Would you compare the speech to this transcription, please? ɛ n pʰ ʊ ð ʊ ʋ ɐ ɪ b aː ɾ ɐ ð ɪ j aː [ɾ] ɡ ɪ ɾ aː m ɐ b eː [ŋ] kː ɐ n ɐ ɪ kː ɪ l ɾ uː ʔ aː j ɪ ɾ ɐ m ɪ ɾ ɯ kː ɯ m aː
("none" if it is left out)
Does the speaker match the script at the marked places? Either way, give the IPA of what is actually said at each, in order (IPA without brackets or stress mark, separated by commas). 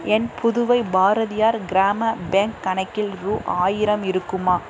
ɾ, ŋ